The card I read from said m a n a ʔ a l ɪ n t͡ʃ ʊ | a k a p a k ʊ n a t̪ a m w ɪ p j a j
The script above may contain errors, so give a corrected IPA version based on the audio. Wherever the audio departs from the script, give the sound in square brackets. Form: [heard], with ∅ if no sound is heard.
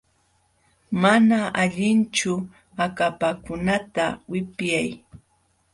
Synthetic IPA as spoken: m a n a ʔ a [ʎ] ɪ n t͡ʃ ʊ | a k a p a k ʊ n a t̪ a [∅] w ɪ p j a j

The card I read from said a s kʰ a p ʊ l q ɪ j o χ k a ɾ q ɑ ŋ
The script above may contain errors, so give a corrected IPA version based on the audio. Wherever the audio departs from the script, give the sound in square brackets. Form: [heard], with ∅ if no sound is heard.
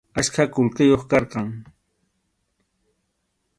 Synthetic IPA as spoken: a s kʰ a [k] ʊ l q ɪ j o χ k [ɑ] ɾ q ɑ ŋ

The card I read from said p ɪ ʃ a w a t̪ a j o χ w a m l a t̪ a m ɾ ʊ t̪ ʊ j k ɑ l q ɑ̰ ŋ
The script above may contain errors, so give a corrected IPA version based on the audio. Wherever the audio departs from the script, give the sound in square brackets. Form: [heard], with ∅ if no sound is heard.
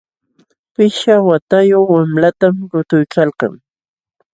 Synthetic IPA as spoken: p ɪ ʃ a w a t̪ a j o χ w a m l a t̪ a m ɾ ʊ t̪ ʊ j k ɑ l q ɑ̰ ŋ

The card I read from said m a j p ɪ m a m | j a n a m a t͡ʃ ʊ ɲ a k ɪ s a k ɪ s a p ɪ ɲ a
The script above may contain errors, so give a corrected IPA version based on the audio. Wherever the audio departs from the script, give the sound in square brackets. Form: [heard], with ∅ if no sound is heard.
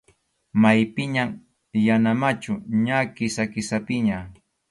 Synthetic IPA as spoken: m a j p ɪ [ɲ] a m | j a n a m a t͡ʃ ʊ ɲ a k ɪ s a k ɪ s a p ɪ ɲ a

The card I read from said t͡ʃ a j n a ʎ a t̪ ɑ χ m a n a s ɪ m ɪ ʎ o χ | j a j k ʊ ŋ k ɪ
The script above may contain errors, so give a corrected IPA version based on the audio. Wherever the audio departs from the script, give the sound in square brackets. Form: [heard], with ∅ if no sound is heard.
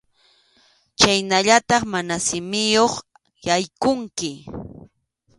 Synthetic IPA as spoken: t͡ʃ a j n a ʎ a t̪ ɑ χ m a n a s ɪ m ɪ [j] o χ | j a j k ʊ ŋ k ɪ

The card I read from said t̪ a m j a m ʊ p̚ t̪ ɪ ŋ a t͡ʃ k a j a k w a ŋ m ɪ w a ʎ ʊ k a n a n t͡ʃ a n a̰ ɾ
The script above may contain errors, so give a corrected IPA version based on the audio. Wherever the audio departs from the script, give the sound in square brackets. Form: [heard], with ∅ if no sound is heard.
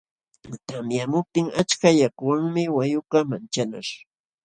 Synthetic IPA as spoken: t̪ a m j a m ʊ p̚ t̪ ɪ ŋ a t͡ʃ k a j a k w a ŋ m ɪ w a [j] ʊ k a [m] a n t͡ʃ a n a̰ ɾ

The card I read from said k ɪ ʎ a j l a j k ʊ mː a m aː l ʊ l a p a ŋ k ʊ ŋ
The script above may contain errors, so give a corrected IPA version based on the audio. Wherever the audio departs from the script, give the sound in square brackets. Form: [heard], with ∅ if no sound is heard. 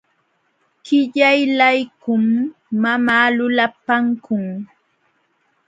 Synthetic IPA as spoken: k ɪ ʎ a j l a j k ʊ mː a m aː l ʊ l a p a ŋ k ʊ ŋ

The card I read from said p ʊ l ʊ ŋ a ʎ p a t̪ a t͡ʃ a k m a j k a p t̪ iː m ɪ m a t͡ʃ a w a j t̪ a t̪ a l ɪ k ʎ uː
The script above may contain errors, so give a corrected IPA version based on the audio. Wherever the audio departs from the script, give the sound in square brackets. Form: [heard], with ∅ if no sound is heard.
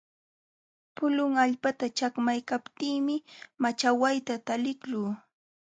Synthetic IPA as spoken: p ʊ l ʊ ŋ a ʎ p a t̪ a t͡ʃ a k m a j k a p t̪ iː m ɪ m a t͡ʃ a w a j t̪ a t̪ a l ɪ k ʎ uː

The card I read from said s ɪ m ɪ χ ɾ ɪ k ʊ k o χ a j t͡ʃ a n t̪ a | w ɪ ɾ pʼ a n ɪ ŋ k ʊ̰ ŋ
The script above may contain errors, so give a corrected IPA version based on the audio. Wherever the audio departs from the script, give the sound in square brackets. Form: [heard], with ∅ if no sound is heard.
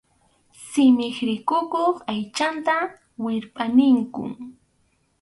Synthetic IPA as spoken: s ɪ m ɪ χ ɾ ɪ k ʊ k o χ a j t͡ʃ a n t̪ a | w ɪ ɾ pʼ a n ɪ ŋ k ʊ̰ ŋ

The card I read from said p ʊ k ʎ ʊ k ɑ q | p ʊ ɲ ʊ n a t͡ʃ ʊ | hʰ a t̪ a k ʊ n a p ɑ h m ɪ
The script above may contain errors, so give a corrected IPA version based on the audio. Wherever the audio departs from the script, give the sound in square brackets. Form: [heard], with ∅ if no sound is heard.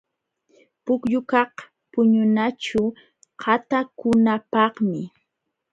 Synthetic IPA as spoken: p ʊ k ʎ ʊ k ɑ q | p ʊ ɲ ʊ n a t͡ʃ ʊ | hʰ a t̪ a k ʊ n a p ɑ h m ɪ

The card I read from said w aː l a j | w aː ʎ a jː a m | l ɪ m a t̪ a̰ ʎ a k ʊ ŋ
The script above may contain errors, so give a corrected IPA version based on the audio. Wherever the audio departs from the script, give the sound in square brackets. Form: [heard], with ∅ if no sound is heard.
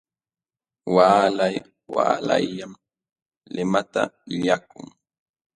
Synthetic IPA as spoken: w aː l a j | w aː [l] a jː a m | l ɪ m a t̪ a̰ ʎ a k ʊ ŋ

